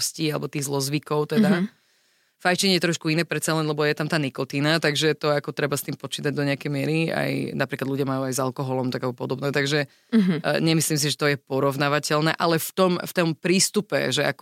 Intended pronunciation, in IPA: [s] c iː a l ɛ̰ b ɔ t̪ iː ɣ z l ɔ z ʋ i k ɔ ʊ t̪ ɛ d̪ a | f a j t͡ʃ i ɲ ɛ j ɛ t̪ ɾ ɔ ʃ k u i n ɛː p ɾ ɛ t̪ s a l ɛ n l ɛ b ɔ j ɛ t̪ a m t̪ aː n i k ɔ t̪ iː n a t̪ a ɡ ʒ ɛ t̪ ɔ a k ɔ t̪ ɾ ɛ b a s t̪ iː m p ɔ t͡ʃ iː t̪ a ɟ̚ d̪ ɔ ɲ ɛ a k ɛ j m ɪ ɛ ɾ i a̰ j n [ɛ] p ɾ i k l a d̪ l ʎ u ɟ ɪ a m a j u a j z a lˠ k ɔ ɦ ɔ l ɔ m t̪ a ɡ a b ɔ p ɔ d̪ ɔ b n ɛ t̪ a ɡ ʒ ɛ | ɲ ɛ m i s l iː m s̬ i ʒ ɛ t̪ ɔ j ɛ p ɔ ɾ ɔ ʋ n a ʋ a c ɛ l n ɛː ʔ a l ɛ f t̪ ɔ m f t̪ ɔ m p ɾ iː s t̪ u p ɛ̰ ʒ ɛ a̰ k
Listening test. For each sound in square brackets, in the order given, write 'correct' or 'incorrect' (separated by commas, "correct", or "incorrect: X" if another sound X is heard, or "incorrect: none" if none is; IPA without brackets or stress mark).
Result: correct, incorrect: a